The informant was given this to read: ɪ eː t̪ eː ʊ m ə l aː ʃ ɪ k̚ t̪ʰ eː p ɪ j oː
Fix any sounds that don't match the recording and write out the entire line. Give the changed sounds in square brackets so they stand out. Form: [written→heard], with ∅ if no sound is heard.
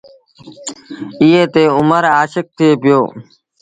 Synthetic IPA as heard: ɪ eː t̪ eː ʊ m ə [l→ɾ] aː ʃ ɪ k̚ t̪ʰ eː p ɪ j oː

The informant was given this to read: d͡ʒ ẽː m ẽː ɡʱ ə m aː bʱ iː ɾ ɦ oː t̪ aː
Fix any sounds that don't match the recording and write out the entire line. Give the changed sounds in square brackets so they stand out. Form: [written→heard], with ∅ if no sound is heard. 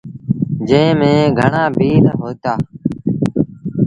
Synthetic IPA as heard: d͡ʒ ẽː m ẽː ɡʱ ə [m→ɳ] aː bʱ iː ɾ ɦ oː t̪ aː

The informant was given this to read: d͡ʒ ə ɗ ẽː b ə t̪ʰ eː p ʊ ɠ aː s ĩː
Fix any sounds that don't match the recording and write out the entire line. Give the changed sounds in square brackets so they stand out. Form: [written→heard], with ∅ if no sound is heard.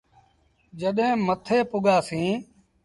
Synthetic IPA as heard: d͡ʒ ə ɗ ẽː [b→m] ə t̪ʰ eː p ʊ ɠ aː s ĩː

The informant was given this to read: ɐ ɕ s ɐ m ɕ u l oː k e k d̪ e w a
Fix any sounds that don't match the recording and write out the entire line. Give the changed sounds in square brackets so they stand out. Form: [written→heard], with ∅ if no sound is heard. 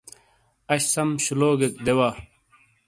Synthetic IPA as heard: ɐ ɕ s ɐ m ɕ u l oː [k→ɡ] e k d̪ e w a

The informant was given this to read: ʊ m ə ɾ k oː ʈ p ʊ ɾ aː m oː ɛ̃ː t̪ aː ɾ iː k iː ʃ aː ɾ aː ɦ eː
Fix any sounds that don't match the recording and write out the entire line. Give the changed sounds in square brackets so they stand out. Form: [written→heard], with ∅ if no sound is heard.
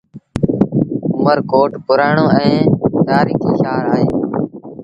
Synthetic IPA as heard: ʊ m ə ɾ k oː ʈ p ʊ ɾ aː [m→ɳ] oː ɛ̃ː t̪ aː ɾ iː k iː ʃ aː ɾ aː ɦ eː

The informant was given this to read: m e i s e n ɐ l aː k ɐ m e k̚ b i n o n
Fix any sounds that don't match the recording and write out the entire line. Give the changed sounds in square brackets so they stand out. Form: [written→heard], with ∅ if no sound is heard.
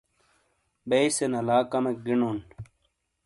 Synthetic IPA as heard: [m→b] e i s e n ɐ l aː k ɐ m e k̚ [b→ɡ] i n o n

